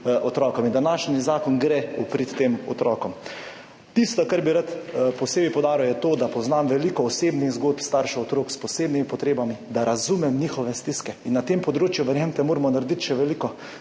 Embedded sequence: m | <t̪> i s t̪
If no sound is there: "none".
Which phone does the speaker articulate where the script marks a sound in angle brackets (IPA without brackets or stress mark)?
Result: t̪